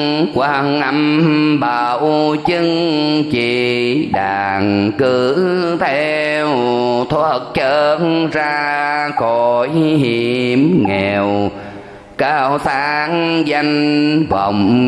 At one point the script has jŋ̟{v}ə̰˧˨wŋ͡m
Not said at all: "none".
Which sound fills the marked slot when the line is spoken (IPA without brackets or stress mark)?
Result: v